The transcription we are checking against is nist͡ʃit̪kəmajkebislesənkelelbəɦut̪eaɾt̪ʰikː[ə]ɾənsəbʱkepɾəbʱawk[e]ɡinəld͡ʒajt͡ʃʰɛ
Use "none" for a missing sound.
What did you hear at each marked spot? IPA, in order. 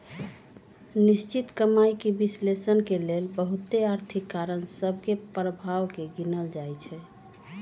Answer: a, e

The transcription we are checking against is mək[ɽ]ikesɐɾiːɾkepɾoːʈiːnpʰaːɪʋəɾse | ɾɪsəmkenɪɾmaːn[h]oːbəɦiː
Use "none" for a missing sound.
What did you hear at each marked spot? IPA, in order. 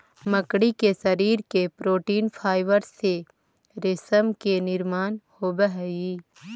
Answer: ɽ, h

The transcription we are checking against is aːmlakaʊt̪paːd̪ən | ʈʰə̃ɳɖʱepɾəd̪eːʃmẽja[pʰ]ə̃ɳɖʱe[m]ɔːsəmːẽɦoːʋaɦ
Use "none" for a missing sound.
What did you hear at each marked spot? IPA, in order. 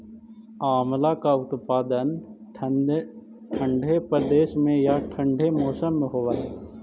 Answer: ʈʰ, m

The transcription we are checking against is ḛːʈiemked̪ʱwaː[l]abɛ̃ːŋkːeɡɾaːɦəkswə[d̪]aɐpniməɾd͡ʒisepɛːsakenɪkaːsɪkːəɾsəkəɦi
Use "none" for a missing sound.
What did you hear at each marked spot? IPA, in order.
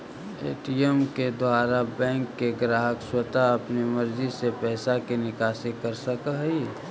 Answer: ɾ, t̪

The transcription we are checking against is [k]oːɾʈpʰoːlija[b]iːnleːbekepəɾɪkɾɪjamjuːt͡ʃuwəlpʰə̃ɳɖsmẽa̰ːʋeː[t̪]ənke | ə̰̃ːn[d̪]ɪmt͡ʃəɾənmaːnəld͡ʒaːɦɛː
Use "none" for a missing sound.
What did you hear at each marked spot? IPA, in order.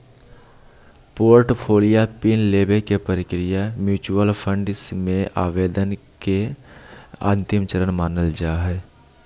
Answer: p, p, d̪, t̪

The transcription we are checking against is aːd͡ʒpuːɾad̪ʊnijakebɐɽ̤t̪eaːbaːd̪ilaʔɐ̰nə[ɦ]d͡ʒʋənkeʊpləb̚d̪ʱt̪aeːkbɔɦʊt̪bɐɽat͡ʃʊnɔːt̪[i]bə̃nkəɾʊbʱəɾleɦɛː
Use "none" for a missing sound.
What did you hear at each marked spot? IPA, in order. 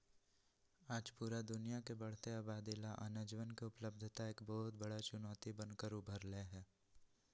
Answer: none, i

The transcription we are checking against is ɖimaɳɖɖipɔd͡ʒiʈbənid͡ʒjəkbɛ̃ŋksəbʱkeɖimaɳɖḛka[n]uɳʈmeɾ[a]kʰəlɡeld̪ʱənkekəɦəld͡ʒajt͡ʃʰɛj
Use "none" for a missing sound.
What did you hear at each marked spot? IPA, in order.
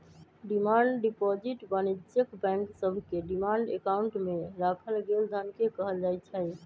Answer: none, a

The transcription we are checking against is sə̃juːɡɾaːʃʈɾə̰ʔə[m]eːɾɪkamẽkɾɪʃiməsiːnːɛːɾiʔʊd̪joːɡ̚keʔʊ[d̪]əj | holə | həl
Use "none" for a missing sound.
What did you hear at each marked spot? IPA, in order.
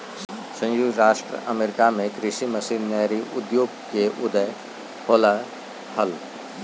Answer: m, d̪

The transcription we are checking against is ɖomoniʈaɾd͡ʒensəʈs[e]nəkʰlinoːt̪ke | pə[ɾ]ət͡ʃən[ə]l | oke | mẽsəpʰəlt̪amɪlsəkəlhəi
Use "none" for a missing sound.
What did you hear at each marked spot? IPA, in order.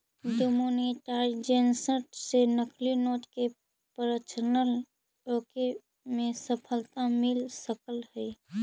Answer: e, ɾ, ə

